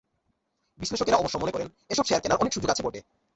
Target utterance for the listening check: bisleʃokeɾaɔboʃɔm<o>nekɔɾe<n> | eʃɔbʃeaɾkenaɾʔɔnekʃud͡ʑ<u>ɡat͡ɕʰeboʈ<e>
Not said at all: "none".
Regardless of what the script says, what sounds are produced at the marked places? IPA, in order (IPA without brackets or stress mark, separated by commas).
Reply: o, n, o, e